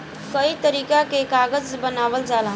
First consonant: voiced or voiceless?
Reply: voiceless